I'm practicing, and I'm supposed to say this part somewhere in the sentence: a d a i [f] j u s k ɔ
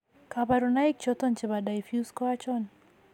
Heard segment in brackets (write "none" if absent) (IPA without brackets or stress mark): f